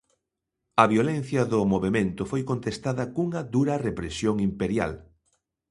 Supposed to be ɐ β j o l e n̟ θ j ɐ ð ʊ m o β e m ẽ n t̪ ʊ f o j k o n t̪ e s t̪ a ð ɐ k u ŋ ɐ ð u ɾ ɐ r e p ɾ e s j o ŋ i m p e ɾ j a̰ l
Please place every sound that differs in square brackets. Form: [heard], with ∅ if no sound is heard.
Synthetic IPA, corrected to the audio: ɐ β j o l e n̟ θ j ɐ ð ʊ m o β e m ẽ n t̪ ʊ f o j k o n t̪ e s t̪ a ð ɐ k u ŋ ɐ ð u ɾ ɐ r e p ɾ e s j o ŋ i m p e ɾ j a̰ l